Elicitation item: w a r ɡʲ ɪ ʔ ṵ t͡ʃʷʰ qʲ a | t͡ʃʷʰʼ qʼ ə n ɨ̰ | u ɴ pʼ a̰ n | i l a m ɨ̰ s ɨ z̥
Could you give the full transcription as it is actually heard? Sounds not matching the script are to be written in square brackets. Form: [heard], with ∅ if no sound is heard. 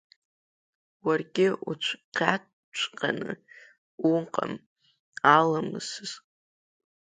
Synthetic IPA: w a r ɡʲ ɪ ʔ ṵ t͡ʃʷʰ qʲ a | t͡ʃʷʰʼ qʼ [a] n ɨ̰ | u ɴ [qʼ] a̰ [m] | [a] l a m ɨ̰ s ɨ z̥